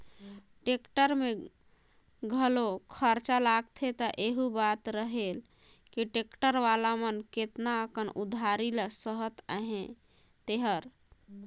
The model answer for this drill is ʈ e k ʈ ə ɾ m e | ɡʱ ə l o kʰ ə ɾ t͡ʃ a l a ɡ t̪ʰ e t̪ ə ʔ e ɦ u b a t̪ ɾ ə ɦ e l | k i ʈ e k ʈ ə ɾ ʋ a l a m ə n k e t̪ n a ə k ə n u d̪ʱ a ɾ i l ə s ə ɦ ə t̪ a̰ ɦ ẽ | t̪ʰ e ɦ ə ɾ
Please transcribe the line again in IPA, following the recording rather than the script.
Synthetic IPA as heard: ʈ e k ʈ ə ɾ m e | ɡʱ ə l o kʰ ə ɾ t͡ʃ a l a ɡ t̪ʰ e t̪ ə ʔ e ɦ u b a t̪ ɾ ə ɦ e l | k i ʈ e k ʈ ə ɾ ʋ a l a m ə n k e t̪ n a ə k ə n u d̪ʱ a ɾ i l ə s ə ɦ ə t̪ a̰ ɦ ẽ | t̪ e ɦ ə ɾ